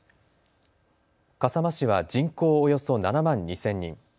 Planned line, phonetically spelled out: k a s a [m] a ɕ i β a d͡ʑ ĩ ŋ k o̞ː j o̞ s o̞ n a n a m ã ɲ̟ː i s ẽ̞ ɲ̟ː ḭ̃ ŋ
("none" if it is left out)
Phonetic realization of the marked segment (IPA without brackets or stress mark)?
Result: m